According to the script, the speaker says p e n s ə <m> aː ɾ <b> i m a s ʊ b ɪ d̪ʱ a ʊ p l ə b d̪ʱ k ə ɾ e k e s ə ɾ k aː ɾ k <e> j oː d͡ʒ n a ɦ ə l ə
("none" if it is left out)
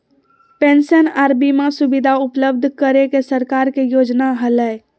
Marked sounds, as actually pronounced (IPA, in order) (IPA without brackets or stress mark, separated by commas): n, b, e